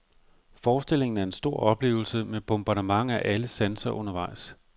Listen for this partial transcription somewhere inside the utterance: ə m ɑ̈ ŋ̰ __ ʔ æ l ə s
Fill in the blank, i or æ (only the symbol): æ